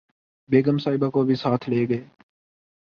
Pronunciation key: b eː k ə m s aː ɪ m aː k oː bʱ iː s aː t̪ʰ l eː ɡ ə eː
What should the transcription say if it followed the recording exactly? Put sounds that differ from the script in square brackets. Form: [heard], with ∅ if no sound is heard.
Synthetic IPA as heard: b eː [ɡ] ə m s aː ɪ [b] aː k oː bʱ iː s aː t̪ʰ l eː ɡ ə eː